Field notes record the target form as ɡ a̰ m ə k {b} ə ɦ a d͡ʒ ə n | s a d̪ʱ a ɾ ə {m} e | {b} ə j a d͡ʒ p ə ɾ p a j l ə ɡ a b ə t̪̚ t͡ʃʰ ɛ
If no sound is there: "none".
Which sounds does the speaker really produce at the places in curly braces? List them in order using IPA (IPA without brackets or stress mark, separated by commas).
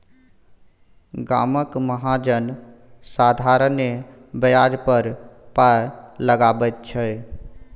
m, n, b